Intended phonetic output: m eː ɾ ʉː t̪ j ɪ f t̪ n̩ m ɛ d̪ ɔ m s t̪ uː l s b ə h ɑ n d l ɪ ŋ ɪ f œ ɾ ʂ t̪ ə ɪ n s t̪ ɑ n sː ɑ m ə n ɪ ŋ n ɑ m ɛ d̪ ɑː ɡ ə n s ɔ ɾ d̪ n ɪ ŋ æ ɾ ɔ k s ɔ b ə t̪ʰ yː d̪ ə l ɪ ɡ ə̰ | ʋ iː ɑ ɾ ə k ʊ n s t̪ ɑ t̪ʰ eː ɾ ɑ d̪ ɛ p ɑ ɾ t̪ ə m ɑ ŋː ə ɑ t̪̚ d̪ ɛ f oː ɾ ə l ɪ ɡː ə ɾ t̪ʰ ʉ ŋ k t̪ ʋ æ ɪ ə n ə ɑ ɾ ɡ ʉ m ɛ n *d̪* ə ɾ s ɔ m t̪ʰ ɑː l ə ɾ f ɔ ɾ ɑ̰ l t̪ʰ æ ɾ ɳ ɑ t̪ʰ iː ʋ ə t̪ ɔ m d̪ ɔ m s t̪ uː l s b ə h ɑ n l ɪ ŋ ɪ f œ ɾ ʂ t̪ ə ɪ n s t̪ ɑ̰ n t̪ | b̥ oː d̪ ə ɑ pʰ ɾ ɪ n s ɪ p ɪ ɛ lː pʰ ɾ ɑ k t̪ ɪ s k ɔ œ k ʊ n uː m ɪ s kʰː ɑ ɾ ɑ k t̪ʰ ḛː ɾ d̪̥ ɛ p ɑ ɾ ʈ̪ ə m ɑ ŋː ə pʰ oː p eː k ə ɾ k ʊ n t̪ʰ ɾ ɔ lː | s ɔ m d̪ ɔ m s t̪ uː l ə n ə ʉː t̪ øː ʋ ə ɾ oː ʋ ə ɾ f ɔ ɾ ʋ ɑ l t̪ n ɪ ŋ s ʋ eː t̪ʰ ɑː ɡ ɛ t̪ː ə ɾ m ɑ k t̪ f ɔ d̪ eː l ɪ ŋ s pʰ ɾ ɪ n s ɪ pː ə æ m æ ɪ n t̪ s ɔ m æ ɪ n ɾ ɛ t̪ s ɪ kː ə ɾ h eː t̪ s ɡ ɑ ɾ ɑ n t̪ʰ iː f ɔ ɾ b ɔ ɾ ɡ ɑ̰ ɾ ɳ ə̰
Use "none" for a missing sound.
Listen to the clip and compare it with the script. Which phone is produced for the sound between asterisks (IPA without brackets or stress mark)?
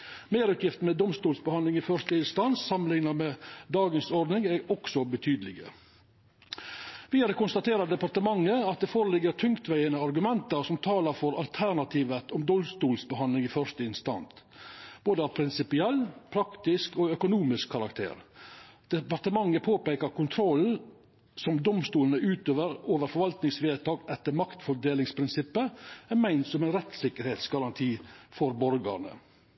t̪